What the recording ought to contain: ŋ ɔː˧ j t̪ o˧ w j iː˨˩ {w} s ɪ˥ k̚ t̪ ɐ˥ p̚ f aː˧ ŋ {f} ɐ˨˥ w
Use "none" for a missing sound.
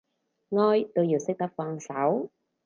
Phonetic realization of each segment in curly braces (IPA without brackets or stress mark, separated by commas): w, s